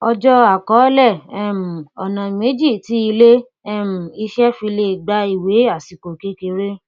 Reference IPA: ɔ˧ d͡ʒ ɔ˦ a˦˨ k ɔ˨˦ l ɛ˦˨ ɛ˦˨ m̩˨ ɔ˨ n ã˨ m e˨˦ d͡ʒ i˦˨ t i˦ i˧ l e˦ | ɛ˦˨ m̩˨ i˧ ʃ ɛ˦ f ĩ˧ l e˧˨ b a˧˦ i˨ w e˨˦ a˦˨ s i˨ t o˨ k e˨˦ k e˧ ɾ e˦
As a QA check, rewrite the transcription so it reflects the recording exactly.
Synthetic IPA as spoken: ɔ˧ d͡ʒ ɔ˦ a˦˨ k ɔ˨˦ l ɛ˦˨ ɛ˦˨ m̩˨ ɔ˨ n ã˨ m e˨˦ d͡ʒ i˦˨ t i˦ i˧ l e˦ | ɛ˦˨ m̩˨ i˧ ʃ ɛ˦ f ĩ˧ l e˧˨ ɡ͡b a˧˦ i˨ w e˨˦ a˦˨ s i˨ k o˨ k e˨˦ k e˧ ɾ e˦